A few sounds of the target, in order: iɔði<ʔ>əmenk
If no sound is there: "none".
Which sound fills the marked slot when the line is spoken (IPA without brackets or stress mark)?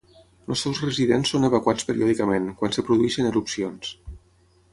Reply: k